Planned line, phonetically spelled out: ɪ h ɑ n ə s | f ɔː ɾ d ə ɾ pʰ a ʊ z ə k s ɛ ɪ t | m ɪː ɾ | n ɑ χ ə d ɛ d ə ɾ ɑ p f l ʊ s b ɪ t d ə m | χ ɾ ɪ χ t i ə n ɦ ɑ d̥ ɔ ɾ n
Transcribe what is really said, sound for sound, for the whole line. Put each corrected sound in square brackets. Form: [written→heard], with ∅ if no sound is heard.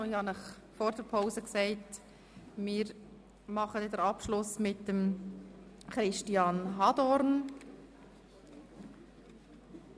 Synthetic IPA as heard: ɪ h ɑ n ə [s→χ] | f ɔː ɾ d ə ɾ pʰ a ʊ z ə k s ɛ ɪ t | m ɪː ɾ | [n→m] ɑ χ ə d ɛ d ə ɾ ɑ p [f→ʃ] l ʊ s [b→m] ɪ t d ə m | χ ɾ ɪ [χ→ʃ] t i [ə→ɑ] n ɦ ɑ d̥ ɔ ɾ n